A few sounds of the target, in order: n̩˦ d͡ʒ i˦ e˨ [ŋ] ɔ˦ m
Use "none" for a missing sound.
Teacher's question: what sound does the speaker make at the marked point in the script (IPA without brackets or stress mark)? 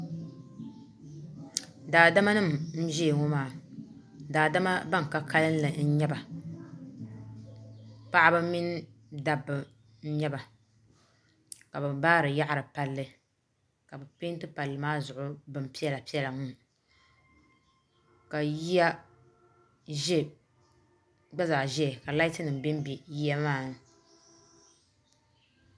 ŋ